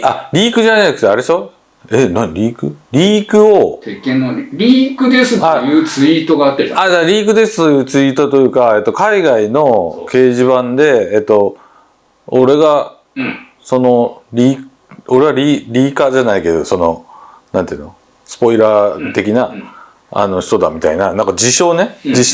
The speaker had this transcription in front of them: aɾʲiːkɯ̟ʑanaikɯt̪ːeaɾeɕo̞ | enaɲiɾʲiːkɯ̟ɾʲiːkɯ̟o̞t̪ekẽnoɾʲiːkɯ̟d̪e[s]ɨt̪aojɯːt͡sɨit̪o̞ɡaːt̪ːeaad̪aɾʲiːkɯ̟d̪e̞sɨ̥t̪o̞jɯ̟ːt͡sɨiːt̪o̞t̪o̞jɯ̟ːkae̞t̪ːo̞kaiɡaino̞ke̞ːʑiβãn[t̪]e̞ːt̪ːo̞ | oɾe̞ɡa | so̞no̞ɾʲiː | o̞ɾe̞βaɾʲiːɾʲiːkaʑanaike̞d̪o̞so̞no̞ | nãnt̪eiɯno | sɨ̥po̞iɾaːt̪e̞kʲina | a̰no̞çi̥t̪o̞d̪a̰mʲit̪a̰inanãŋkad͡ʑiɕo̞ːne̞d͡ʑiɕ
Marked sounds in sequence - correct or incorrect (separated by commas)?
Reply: correct, incorrect